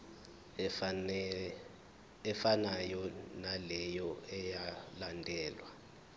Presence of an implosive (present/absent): absent